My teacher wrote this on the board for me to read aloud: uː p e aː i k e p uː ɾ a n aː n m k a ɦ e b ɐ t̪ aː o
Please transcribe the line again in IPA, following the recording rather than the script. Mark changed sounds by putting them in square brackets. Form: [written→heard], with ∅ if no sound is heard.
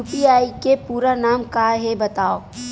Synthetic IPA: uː p [e→i] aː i k e p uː ɾ a n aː [n→∅] m k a ɦ e b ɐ t̪ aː o